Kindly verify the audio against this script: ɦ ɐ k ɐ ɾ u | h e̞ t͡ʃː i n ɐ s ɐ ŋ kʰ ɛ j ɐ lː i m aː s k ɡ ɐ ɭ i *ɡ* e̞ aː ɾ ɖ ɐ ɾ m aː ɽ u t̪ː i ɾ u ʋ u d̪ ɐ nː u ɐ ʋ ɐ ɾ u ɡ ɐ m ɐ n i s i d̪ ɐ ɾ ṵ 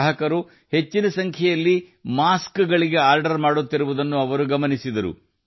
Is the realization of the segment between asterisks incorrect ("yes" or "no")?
no